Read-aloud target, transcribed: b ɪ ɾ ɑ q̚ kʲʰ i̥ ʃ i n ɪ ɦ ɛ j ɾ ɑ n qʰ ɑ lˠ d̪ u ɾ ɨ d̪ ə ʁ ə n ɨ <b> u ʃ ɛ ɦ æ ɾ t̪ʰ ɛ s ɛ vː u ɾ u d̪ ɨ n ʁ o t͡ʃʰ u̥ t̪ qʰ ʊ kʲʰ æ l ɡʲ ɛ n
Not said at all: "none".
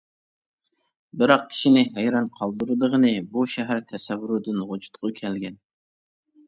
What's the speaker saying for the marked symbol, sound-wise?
b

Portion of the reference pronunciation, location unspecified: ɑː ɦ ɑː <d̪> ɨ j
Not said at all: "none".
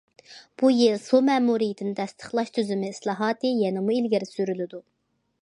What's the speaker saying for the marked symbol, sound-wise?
t̪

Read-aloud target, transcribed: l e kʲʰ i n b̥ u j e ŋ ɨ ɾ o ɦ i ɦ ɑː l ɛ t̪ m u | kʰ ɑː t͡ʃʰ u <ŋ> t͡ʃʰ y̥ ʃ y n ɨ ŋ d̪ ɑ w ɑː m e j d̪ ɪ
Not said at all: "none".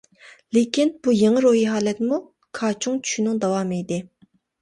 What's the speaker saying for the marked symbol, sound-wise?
ŋ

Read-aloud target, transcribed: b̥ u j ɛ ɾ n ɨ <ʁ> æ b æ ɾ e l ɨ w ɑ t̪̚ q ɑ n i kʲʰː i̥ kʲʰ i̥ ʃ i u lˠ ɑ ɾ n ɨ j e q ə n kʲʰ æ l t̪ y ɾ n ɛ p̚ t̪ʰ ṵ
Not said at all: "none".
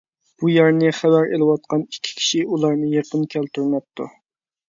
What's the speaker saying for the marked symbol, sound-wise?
χ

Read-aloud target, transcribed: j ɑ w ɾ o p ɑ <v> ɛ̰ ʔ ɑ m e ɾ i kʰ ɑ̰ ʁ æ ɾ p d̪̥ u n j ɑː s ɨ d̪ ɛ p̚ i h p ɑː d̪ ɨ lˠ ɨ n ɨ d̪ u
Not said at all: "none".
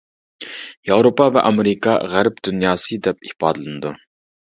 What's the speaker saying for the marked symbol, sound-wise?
v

